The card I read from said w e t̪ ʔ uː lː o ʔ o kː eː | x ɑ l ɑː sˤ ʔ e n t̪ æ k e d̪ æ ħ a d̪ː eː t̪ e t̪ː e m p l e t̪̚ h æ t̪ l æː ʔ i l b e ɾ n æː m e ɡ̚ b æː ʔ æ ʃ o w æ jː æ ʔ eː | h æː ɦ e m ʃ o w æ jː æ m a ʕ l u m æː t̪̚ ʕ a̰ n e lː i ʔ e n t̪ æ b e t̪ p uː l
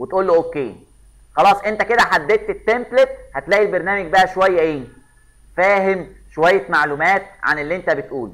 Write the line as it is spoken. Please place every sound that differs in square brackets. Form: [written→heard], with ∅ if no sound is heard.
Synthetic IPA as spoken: w e t̪ ʔ uː lː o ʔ o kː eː | x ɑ l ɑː sˤ ʔ e n t̪ æ k e d̪ æ ħ a d̪ː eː t̪ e t̪ː e m p l e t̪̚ h æ t̪ l æː ʔ i l b e ɾ n æː m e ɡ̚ b [æː→æ] ʔ æ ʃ o w æ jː æ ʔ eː | [h→f] æː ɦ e m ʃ o w æ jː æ m a ʕ l u m æː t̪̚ ʕ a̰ n e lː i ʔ e n t̪ æ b e t̪ [p→ʔ] uː l